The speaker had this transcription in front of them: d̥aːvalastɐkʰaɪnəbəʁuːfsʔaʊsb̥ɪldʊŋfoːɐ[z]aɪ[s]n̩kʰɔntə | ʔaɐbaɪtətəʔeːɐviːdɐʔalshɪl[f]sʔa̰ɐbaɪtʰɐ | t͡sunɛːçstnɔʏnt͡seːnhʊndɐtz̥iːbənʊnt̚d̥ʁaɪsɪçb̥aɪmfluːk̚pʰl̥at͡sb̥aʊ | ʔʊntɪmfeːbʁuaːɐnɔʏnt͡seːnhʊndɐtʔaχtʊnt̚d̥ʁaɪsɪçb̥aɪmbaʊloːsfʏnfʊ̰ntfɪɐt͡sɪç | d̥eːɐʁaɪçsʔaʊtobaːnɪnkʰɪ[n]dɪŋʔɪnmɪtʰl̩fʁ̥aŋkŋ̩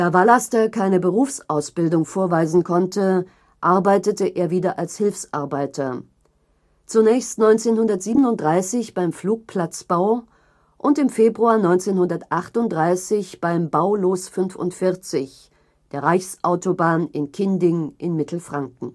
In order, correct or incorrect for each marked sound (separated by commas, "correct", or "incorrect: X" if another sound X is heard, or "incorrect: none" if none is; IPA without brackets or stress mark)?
incorrect: v, incorrect: z, correct, correct